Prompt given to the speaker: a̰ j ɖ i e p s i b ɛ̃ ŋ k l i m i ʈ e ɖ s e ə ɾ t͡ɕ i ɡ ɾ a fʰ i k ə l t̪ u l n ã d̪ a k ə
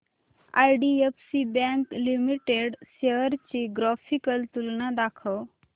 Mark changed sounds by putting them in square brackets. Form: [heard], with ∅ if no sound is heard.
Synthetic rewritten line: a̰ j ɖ i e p s i b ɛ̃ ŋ k l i m i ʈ e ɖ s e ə ɾ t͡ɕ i ɡ ɾ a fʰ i k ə l t̪ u l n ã d̪ a [kʰ] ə